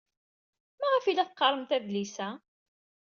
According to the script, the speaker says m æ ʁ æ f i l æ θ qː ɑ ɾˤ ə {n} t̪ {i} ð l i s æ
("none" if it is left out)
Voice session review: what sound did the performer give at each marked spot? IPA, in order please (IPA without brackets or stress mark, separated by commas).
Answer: m, æ